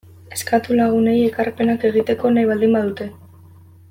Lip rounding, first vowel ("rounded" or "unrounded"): unrounded